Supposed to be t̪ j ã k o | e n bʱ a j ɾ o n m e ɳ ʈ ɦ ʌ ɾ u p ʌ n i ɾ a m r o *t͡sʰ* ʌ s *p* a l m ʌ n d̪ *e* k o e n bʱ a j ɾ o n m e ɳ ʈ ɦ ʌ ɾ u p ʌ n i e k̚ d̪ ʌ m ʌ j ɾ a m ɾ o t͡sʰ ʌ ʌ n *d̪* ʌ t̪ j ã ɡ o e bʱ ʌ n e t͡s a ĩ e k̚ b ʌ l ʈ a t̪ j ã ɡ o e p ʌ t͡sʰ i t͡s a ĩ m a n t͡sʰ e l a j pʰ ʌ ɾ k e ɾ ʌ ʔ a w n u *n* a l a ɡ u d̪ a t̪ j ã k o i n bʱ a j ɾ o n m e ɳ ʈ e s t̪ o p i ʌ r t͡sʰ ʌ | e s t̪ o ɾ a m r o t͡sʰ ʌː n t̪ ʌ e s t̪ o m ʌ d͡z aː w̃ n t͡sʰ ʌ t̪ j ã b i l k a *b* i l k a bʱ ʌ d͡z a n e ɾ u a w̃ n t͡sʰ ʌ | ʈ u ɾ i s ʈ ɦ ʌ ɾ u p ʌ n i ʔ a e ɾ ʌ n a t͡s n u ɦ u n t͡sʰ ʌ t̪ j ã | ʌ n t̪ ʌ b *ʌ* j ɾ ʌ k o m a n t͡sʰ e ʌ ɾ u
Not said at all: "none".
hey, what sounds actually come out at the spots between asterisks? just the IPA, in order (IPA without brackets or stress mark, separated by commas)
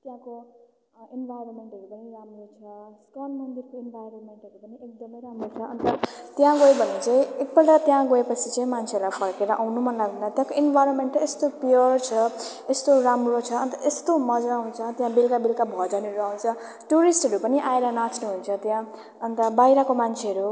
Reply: t͡sʰ, k, i, t̪, m, b, a